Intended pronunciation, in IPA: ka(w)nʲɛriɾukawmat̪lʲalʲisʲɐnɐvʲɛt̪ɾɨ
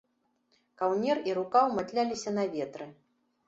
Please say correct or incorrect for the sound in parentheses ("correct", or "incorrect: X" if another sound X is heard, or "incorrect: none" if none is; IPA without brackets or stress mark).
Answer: correct